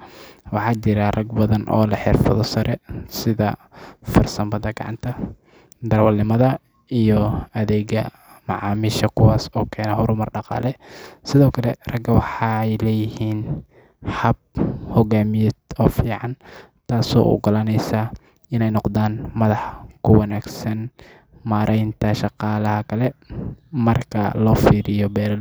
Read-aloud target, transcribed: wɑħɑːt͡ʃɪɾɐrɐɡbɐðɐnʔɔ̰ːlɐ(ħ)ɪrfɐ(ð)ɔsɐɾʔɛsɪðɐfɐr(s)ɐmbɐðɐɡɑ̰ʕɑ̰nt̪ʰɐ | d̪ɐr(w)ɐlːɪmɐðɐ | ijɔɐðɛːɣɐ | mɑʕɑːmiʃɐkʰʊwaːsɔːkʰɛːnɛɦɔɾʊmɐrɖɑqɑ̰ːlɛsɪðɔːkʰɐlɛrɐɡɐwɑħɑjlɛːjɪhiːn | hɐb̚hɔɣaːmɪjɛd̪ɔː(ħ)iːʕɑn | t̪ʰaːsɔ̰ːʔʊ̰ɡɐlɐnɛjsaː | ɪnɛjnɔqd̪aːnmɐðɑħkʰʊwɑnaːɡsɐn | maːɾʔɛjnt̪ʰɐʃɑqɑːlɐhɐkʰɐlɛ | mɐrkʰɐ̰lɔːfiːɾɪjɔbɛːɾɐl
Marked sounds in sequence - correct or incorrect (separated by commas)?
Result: correct, correct, correct, correct, incorrect